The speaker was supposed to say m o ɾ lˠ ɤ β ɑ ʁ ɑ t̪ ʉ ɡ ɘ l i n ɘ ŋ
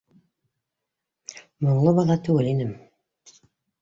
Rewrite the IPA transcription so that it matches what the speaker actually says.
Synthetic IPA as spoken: m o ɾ lˠ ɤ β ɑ ð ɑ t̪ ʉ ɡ ɘ l i n ɘ m